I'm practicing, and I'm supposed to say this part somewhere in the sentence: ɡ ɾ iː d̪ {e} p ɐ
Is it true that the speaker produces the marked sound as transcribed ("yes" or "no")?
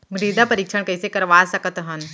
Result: no